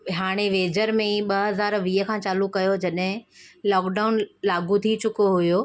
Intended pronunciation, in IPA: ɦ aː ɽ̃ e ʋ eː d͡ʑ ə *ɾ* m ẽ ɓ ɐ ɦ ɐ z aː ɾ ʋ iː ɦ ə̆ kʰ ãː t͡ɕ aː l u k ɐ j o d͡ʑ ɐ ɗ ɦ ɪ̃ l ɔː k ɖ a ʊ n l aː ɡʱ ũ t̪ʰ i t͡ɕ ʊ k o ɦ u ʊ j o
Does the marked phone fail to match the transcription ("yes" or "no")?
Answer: no